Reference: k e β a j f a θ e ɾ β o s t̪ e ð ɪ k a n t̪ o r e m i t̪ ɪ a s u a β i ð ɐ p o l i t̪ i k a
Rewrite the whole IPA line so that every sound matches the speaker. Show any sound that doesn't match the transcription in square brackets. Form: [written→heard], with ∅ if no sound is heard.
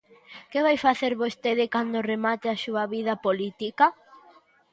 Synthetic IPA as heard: k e β a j f a θ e ɾ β o s t̪ e ð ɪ k a n [t̪→d̪] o r e m [i→a] t̪ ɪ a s u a β i ð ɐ p o l i t̪ i k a